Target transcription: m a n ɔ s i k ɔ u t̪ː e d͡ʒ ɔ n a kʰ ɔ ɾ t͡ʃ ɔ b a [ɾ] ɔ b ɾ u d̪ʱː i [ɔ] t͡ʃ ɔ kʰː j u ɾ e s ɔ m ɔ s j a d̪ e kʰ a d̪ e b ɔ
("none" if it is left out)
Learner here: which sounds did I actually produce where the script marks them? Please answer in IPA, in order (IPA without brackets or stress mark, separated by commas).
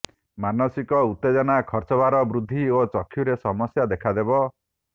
ɾ, o